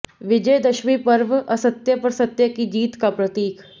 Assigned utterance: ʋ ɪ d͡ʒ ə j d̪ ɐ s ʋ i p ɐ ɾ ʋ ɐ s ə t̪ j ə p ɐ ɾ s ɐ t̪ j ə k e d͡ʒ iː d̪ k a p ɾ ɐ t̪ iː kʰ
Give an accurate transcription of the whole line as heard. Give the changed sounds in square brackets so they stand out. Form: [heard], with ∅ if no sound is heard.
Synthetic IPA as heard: ʋ ɪ d͡ʒ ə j d̪ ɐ [ʃ] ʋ i p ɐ ɾ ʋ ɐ s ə t̪ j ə p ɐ ɾ s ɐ t̪ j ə k [i] d͡ʒ iː [t̪] k a p ɾ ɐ t̪ iː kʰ